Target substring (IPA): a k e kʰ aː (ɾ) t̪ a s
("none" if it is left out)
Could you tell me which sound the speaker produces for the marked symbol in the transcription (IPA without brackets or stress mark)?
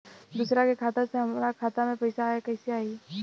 none